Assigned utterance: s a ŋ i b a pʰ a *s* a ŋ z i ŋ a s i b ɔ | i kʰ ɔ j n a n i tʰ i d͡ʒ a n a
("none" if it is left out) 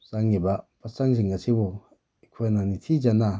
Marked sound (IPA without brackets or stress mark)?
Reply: s